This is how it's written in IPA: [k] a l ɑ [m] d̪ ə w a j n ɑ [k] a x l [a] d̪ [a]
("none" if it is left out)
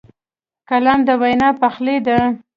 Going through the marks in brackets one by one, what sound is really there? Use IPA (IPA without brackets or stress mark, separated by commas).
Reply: k, m, p, e, a